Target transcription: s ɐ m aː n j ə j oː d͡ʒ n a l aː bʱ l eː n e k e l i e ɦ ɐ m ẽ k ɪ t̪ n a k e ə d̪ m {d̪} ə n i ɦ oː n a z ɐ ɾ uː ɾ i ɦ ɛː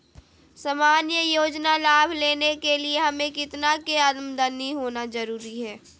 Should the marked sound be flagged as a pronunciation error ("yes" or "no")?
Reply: no